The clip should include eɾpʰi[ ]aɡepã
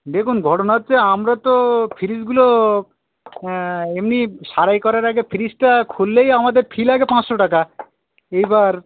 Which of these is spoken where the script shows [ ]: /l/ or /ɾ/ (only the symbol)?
l